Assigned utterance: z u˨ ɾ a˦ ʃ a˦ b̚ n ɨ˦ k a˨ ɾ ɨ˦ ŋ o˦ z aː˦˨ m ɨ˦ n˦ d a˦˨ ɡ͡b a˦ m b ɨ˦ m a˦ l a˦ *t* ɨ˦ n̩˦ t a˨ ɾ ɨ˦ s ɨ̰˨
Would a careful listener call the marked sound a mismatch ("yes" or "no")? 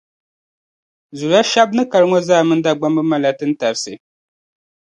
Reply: no